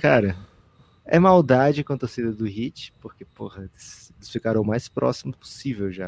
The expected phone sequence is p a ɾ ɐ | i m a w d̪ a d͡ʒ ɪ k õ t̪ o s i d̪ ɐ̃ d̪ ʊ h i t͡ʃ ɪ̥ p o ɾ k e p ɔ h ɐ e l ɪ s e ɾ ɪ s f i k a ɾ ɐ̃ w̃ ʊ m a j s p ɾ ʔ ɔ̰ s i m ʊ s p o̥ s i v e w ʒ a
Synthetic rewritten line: k a ɾ ɐ | ɛ m a w d̪ a d͡ʒ ɪ k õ t̪ o s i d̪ ɐ d̪ ʊ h i t͡ʃ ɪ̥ p o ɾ k e p o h ɐ e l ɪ s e l ɪ s f i k a ɾ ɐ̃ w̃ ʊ m a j s p ɾ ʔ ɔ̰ s i m ʊ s p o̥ s i v e w ʒ a